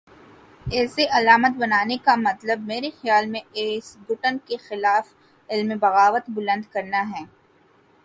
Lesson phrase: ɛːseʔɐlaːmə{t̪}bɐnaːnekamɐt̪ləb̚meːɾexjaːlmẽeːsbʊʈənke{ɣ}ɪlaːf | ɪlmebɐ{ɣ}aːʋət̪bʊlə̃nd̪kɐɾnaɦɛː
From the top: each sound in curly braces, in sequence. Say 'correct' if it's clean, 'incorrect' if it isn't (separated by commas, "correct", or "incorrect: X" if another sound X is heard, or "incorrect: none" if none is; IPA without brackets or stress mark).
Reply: correct, incorrect: x, correct